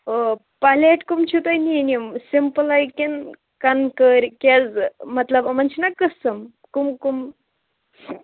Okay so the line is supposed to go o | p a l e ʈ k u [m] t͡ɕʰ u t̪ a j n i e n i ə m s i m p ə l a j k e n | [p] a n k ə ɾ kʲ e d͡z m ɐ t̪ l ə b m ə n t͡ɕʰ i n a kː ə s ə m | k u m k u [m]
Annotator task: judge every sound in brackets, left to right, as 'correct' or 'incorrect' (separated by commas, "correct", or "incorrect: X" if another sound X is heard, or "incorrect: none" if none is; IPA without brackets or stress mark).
correct, incorrect: k, correct